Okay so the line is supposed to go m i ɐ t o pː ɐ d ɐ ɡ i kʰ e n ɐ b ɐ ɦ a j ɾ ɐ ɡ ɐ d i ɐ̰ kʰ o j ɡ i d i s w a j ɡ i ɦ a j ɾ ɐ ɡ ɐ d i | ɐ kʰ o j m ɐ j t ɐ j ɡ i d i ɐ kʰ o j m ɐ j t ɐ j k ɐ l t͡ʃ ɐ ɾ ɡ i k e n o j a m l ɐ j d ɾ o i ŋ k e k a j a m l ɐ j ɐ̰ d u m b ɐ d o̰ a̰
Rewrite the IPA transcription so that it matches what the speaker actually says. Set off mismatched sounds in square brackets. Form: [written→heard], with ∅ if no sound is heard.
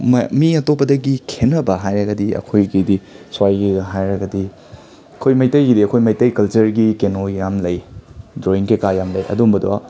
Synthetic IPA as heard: m i ɐ t o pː ɐ d ɐ ɡ i kʰ e n ɐ b ɐ ɦ a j ɾ ɐ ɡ ɐ d i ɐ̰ kʰ o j ɡ i d i s w a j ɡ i ɦ a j ɾ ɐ ɡ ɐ d i | ɐ kʰ o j m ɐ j t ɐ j ɡ i d i ɐ kʰ o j m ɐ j t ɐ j k ɐ l t͡ʃ ɐ ɾ ɡ i k e n o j a m l ɐ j d ɾ o i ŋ k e k a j a m l ɐ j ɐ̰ d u m b ɐ d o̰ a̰